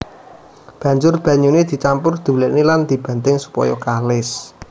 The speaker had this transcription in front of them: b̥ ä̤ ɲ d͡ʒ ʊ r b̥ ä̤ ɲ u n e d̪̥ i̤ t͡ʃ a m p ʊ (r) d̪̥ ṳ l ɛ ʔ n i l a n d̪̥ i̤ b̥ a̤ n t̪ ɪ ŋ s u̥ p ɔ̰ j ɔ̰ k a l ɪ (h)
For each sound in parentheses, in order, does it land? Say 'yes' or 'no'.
yes, no

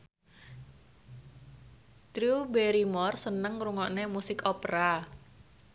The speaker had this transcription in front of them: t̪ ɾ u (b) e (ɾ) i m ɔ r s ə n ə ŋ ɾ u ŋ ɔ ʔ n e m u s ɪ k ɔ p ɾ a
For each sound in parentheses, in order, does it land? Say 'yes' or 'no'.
yes, yes

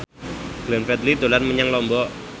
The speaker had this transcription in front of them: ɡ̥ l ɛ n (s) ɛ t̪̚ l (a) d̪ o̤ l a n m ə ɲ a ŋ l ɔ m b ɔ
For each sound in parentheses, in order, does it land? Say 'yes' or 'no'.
no, no

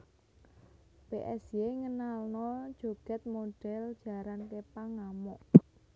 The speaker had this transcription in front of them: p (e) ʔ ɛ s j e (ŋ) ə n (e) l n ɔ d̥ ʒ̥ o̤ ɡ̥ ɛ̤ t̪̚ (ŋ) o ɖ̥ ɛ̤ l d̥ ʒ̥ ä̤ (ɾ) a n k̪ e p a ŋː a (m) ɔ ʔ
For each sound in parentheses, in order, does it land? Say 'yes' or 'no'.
yes, yes, no, no, yes, yes

